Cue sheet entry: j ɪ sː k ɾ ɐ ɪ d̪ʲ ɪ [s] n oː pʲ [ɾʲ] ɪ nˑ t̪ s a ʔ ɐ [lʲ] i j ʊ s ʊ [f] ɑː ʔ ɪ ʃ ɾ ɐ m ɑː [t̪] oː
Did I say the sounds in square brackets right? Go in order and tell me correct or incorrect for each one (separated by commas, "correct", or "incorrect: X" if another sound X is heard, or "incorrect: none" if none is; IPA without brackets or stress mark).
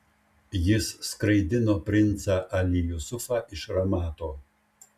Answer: incorrect: none, correct, correct, correct, correct